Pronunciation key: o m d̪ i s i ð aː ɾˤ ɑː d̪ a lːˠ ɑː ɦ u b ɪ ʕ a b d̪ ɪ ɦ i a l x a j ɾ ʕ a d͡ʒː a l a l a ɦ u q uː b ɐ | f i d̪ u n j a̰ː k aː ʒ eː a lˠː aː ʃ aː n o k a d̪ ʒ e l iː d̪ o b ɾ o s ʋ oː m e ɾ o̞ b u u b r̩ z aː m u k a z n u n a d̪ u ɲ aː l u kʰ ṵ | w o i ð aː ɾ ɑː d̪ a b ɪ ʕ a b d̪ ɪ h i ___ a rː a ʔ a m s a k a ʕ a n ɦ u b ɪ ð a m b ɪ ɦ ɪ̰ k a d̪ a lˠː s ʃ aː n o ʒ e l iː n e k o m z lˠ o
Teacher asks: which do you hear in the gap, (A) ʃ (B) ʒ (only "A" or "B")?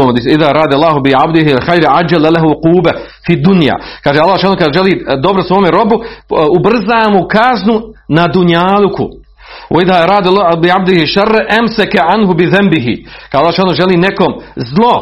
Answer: A